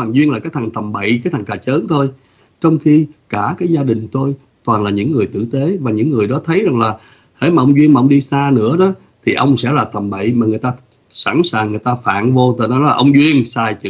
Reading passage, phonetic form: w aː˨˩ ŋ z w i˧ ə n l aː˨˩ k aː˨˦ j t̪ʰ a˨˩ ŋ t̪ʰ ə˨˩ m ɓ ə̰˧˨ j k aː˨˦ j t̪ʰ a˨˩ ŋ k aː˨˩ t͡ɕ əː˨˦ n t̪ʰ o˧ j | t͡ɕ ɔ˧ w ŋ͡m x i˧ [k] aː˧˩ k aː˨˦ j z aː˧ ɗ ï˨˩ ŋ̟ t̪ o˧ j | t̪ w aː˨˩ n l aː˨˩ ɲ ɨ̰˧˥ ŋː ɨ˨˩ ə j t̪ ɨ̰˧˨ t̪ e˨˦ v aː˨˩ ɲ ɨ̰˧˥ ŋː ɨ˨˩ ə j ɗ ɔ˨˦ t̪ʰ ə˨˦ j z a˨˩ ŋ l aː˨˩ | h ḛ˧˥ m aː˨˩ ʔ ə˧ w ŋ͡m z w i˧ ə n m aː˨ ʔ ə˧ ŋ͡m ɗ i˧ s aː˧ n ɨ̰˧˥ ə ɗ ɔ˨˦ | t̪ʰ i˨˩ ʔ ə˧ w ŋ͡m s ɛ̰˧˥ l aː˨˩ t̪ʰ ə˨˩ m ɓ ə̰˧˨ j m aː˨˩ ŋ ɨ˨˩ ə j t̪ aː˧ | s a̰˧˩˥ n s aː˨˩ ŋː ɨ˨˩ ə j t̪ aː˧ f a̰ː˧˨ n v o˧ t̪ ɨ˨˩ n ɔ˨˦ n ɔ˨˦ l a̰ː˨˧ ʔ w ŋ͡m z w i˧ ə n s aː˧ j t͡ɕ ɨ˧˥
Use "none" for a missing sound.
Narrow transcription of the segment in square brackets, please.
k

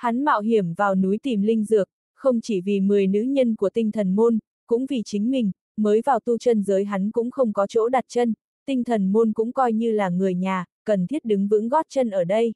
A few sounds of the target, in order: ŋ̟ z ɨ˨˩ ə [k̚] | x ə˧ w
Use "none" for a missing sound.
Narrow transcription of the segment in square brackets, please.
k̚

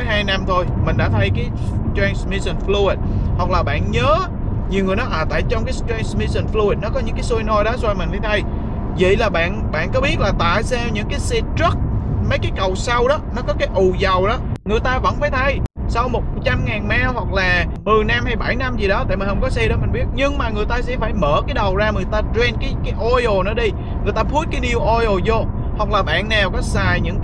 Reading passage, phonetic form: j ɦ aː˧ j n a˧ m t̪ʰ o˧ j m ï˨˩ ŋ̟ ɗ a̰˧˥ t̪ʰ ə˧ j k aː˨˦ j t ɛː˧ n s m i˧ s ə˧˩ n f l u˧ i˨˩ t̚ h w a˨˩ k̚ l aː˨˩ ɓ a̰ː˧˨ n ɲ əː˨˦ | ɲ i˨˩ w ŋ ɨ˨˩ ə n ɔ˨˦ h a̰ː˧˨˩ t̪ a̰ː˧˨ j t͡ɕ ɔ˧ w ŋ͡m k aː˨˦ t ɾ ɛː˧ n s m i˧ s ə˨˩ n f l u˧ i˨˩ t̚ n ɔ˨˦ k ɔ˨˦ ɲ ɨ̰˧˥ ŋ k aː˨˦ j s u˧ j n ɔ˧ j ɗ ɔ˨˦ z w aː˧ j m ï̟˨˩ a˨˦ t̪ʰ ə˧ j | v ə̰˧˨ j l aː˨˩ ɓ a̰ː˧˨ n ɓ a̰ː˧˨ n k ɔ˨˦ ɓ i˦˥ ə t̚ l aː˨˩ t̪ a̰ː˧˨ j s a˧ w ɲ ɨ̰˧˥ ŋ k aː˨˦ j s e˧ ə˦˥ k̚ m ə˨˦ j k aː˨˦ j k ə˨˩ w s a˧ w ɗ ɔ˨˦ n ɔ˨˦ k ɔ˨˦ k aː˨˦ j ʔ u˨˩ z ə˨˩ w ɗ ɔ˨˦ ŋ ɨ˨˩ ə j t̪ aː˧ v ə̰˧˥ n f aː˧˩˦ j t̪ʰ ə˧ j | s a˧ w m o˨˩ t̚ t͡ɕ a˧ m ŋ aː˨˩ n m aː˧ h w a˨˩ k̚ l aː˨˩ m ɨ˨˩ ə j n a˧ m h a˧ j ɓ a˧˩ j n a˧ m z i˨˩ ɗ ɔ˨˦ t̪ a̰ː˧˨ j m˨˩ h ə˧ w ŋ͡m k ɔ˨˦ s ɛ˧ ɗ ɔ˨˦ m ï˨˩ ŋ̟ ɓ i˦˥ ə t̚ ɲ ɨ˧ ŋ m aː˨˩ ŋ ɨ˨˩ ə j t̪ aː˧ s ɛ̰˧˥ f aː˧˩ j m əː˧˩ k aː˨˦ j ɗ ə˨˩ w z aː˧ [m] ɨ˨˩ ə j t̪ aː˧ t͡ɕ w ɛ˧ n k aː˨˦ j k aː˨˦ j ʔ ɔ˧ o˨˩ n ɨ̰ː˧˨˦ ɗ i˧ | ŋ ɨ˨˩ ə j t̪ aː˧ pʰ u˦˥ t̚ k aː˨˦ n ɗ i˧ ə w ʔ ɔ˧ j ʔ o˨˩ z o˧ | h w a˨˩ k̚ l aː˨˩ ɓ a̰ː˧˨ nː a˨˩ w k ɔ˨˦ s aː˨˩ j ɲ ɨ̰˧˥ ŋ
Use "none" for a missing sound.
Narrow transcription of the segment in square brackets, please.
ŋ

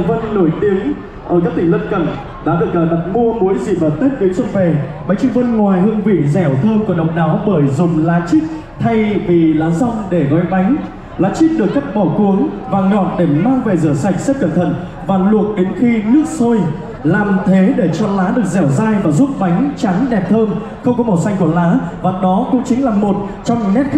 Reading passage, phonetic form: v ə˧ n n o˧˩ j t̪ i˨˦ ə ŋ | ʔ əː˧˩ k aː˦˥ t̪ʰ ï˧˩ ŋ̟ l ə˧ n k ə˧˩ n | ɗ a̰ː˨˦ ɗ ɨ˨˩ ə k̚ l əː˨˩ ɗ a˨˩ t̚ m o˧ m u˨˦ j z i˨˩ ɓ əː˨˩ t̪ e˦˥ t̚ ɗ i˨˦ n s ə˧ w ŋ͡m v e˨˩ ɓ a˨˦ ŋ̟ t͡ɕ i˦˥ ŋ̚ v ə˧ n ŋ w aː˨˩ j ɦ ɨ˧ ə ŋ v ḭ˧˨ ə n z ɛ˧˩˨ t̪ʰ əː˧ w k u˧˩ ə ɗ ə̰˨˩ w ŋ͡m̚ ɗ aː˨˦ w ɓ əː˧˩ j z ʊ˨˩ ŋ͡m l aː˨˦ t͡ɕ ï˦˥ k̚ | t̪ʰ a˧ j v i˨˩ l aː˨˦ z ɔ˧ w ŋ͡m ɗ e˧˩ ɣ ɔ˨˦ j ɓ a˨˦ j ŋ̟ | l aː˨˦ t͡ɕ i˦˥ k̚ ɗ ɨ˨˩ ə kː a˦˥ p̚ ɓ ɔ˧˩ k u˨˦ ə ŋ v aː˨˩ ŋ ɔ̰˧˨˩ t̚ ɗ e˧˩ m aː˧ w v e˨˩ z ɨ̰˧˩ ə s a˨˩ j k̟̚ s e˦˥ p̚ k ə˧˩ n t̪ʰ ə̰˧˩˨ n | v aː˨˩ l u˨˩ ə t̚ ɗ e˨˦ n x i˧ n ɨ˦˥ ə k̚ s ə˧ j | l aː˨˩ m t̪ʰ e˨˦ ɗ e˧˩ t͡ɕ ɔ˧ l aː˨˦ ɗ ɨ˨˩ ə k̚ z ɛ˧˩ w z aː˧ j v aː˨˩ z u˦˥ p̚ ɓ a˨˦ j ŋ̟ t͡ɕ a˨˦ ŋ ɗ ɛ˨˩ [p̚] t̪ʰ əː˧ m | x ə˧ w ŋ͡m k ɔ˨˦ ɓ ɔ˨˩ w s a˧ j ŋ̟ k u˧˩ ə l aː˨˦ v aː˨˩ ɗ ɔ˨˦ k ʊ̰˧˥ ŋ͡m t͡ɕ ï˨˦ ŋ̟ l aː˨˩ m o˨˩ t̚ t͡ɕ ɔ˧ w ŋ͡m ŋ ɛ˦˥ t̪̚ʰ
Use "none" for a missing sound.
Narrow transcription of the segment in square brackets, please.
p̚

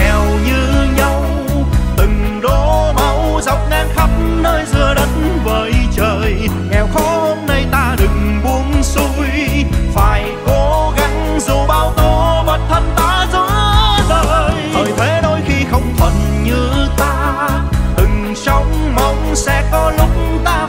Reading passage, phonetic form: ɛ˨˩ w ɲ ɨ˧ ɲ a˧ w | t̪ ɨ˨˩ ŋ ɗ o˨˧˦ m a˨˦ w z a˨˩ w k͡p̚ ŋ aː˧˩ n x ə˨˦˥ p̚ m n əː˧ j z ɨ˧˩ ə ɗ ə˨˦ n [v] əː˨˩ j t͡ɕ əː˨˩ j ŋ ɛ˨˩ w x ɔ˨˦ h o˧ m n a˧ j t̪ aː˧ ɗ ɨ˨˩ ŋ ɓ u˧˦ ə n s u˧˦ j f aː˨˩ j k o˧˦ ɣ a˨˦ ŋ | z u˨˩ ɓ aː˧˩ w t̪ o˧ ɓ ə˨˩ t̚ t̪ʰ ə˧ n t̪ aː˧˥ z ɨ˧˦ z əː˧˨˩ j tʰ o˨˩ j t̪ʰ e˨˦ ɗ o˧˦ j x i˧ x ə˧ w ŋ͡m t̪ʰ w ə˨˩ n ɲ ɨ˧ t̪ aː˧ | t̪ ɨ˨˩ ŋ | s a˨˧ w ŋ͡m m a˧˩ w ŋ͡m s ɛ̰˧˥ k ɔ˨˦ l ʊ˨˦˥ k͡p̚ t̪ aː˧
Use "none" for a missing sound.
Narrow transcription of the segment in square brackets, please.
v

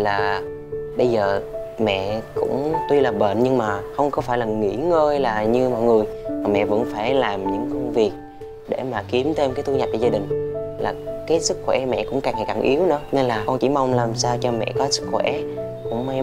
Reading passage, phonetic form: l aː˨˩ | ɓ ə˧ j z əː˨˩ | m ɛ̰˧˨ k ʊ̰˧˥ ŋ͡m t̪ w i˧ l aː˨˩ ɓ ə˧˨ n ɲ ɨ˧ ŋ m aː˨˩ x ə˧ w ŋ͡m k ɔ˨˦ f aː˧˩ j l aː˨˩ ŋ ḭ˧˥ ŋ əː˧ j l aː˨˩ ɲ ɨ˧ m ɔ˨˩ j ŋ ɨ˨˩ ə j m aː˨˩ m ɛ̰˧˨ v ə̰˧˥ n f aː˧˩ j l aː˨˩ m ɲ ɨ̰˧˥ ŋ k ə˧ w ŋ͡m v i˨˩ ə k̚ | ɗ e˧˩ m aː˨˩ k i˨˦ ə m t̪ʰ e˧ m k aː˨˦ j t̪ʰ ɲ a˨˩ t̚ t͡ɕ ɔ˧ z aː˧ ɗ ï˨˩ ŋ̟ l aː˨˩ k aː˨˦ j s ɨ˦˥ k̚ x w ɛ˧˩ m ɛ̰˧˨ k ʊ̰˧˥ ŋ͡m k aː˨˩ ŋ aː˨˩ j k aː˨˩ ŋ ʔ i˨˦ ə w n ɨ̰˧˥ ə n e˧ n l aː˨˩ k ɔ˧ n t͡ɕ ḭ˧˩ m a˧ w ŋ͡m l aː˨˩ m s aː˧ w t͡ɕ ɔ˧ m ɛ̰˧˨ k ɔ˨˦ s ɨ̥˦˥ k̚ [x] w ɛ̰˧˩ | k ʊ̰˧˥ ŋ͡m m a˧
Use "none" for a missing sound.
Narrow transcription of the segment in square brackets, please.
x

